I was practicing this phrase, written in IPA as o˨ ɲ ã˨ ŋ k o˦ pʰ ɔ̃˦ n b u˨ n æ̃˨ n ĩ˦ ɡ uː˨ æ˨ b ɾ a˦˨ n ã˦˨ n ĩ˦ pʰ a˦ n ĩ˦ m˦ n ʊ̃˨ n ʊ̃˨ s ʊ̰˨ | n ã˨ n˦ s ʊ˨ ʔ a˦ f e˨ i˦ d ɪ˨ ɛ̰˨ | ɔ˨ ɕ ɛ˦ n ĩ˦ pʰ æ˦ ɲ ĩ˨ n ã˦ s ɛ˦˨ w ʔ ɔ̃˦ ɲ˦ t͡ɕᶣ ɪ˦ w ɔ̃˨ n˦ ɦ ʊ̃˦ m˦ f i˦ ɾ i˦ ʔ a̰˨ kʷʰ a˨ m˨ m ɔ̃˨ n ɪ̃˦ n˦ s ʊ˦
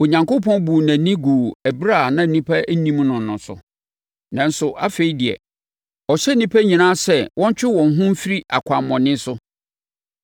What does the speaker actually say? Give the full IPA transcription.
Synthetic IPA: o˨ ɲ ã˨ ŋ k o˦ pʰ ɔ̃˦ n b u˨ n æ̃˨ n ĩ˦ ɡ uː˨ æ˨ b ɾ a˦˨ n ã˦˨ n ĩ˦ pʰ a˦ n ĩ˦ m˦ n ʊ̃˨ n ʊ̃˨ s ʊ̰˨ | n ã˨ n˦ s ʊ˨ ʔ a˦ f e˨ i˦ d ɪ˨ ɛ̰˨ | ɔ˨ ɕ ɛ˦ n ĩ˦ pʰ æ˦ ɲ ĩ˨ n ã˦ s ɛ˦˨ w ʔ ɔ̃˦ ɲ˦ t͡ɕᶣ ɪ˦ w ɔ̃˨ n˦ ɦ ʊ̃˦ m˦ f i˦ ɾ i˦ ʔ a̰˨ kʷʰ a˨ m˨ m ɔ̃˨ n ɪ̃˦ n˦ s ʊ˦